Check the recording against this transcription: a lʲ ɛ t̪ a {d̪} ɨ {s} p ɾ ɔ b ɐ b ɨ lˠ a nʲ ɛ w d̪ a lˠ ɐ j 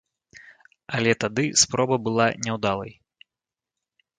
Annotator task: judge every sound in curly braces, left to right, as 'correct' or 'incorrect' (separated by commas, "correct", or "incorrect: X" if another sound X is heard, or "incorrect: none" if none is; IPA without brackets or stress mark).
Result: correct, correct